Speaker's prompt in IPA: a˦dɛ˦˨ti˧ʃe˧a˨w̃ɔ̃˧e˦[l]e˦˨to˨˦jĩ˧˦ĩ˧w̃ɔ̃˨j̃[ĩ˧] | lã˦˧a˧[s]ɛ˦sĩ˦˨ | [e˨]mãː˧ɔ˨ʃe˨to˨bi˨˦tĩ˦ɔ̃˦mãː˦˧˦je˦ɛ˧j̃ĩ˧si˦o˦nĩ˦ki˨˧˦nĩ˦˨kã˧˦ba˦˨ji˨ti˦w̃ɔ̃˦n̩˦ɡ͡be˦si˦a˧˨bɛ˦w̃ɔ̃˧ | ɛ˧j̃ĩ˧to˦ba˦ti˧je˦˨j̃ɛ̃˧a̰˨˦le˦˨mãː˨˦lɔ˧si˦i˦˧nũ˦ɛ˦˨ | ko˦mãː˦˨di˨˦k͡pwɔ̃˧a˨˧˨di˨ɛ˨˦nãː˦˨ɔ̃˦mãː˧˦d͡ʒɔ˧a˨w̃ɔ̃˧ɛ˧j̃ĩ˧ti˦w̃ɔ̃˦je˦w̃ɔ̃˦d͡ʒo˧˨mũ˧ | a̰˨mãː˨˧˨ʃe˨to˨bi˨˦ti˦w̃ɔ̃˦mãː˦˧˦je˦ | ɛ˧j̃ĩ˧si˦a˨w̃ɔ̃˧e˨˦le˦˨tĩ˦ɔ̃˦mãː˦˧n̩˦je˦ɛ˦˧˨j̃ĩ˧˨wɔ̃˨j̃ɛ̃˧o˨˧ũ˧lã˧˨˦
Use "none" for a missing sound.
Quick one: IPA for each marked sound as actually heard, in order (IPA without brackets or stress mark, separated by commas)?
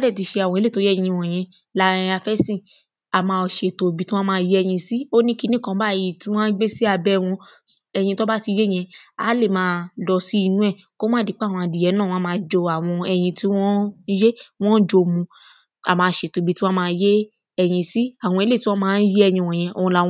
l, ɛ̃˧, f, a˨